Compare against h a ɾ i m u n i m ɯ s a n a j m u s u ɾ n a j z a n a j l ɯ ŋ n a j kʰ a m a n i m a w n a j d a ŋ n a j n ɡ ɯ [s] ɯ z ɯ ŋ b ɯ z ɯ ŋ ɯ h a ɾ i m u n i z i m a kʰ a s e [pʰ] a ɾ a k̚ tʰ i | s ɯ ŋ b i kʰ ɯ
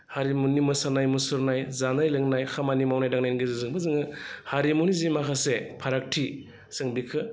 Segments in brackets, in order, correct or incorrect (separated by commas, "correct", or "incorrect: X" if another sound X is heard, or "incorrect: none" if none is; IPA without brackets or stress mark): incorrect: z, correct